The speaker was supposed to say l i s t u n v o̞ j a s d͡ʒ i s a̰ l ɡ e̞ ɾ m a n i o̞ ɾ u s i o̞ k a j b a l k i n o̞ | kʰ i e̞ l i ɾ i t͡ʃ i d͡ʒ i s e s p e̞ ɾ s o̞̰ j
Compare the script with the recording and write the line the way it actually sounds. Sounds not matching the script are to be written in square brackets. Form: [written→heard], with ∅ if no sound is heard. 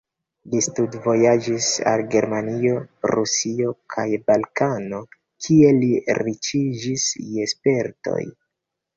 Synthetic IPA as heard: l i s t u [n→d] v o̞ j a [s→∅] d͡ʒ i s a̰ l ɡ e̞ ɾ m a n i o̞ ɾ u s i o̞ [k→kʰ] a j b a l k [i→a] n o̞ | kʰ i e̞ l i ɾ i t͡ʃ i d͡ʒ i s e s p e̞ ɾ [s→t] o̞̰ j